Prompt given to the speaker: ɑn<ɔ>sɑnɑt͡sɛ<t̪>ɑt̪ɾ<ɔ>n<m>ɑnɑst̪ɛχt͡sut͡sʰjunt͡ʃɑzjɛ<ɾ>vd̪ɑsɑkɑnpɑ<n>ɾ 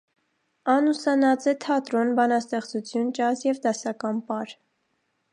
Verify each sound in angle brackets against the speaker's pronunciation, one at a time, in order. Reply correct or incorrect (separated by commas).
incorrect, incorrect, correct, incorrect, incorrect, incorrect